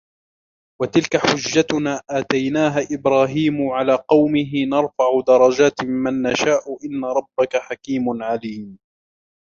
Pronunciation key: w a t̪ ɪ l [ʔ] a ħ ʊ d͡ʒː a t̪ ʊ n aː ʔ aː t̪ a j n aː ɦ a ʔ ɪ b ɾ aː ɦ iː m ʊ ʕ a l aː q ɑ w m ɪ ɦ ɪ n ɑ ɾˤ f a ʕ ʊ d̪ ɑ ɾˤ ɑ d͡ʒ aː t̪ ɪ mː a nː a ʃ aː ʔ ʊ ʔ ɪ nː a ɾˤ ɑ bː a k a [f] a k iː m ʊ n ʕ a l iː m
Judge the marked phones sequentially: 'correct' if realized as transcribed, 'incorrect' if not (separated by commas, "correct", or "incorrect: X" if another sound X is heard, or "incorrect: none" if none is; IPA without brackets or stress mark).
incorrect: k, incorrect: ħ